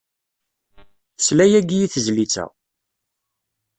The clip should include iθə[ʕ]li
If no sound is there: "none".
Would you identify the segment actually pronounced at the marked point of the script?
z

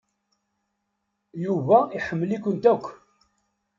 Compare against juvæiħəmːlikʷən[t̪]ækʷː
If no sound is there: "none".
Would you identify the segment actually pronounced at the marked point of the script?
t̪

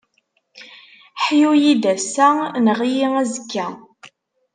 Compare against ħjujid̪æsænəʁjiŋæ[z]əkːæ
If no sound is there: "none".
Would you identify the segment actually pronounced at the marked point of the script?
z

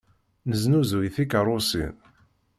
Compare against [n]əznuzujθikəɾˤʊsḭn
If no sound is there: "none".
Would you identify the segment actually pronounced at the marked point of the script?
n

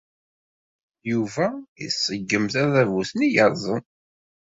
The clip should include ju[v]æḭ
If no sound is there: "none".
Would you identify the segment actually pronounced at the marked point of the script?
v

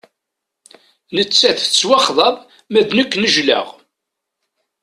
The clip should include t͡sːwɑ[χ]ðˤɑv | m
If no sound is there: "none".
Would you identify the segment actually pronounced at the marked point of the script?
χ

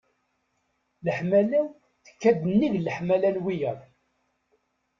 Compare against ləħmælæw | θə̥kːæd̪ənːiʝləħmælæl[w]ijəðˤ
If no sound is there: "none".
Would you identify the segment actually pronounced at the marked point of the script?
w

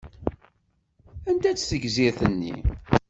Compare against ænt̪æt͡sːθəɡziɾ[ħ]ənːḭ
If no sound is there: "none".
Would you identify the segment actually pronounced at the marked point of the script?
θ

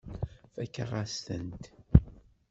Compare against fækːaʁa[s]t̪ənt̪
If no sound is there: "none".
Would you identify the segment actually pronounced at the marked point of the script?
s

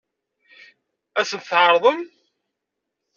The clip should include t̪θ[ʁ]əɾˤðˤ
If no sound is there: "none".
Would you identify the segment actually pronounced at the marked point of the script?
ʕ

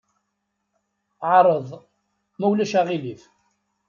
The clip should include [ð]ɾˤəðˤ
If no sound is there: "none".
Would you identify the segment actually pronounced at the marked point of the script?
ʕ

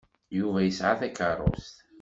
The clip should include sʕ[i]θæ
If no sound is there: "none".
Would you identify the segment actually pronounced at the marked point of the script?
a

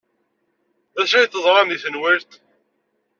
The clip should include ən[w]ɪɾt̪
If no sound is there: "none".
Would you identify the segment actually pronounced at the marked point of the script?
w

